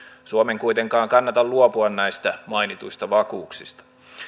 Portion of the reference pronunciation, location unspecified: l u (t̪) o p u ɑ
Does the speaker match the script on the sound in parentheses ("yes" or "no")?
no